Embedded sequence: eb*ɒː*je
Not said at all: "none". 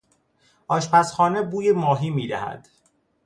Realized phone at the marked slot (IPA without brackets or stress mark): uː